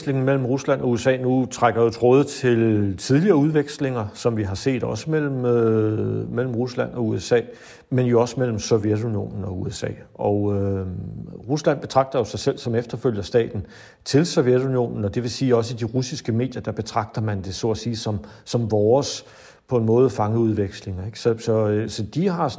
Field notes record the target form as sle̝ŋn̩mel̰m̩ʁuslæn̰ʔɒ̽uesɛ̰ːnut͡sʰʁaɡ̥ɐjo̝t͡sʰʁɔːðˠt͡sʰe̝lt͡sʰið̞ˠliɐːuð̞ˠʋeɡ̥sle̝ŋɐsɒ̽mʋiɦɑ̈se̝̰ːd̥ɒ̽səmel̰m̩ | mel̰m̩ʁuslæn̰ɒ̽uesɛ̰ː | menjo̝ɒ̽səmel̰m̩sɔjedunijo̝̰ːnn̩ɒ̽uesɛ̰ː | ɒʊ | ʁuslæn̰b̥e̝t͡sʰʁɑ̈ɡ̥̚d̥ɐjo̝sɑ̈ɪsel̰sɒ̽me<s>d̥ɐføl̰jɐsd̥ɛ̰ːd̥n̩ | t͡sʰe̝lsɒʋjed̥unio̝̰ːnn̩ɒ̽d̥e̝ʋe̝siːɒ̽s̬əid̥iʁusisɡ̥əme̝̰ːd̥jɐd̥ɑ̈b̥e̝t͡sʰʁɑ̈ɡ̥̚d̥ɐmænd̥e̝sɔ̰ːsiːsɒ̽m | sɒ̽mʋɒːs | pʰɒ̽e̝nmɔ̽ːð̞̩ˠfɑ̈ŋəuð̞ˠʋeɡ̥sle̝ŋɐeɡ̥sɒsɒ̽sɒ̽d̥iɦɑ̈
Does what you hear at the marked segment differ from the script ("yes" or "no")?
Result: yes